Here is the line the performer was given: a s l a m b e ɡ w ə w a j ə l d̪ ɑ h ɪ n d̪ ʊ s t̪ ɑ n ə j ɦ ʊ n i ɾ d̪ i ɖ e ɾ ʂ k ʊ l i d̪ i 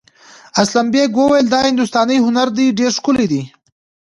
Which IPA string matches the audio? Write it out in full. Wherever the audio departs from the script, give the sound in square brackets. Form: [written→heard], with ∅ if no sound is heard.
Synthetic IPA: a s l a m b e ɡ w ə w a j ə l d̪ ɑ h ɪ n d̪ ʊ s t̪ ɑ n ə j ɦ ʊ n [i→a] ɾ d̪ i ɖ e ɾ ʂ k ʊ l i d̪ i